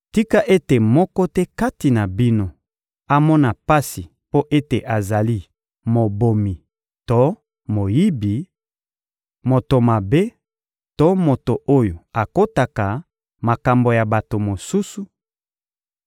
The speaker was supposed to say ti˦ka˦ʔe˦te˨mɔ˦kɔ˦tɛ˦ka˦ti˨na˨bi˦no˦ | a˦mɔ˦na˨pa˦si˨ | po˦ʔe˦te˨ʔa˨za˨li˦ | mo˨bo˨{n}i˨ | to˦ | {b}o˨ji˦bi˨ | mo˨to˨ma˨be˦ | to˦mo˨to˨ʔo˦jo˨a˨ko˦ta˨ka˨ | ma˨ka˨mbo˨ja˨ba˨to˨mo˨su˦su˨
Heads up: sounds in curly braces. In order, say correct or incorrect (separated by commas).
incorrect, incorrect